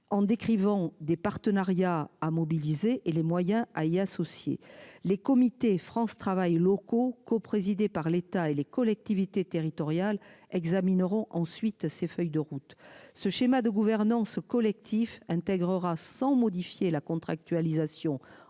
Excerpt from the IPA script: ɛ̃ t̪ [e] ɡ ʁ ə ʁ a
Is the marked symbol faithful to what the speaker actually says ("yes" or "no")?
no